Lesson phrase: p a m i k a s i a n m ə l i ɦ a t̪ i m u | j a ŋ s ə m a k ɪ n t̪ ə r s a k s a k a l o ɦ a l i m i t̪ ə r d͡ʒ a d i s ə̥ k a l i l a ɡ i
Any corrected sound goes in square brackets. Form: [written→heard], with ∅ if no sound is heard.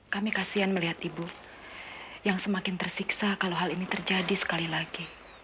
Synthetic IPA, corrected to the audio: [p→k] a m i k a s i a n m ə l i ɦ a t̪ i [m→b] u | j a ŋ s ə m a k ɪ n t̪ ə r s [a→i] k s a k a l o ɦ a l i [m→n] i t̪ ə r d͡ʒ a d i s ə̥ k a l i l a ɡ i